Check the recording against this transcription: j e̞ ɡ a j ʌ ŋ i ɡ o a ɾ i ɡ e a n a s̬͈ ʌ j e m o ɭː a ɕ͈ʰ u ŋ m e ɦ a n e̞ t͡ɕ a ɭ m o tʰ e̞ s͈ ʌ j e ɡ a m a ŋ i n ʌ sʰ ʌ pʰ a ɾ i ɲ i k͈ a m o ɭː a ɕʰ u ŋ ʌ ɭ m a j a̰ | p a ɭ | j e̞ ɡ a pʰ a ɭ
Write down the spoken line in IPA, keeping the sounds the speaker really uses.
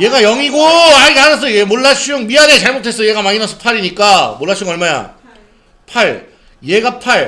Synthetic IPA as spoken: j e̞ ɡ a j ʌ ŋ i ɡ o a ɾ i ɡ e a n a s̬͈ ʌ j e m o ɭː a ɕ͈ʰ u ŋ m i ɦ a n e̞ t͡ɕ a ɭ m o tʰ e̞ s͈ ʌ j e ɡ a m a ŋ i n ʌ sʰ ʌ pʰ a ɾ i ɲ i k͈ a m o ɭː a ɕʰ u ŋ ʌ ɭ m a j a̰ | pʰ a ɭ | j e̞ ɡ a pʰ a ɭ